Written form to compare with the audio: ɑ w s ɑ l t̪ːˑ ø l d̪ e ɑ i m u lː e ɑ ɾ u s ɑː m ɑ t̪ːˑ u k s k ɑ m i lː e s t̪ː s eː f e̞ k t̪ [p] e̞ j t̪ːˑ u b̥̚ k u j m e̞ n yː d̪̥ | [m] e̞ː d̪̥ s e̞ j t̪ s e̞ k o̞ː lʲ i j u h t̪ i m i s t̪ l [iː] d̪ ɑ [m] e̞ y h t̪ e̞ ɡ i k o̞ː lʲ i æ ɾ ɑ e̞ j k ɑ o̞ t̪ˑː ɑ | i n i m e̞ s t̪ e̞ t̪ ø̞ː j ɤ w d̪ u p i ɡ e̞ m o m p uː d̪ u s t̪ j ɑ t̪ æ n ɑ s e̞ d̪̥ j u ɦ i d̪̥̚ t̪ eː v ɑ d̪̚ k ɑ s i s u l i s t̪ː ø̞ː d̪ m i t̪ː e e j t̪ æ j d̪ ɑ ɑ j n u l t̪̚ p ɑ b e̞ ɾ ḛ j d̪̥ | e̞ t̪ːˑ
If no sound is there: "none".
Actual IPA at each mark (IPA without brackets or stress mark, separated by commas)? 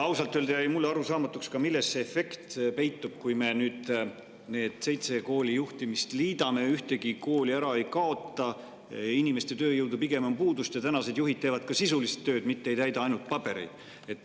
p, n, iː, m